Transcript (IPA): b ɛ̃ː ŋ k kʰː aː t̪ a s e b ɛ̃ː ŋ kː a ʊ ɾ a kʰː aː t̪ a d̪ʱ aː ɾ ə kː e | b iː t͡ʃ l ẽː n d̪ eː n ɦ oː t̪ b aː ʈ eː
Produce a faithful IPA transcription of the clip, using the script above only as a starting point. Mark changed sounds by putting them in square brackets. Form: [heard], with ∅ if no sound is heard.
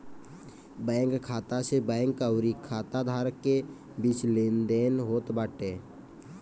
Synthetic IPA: b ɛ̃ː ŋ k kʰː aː t̪ a s e b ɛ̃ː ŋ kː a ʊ ɾ [i] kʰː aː t̪ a d̪ʱ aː ɾ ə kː e | b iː t͡ʃ l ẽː n d̪ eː n ɦ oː t̪ b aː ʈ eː